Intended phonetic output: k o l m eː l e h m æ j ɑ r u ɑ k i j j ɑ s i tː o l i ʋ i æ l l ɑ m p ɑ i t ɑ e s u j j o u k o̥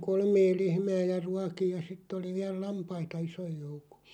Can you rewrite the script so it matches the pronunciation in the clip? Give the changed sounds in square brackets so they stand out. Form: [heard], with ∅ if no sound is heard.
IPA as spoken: k o l m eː l e h m [æː] j ɑ r u ɑ k i j j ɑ s i tː o l i ʋ i æ l l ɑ m p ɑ i t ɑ [i] s [o] j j o u k o̥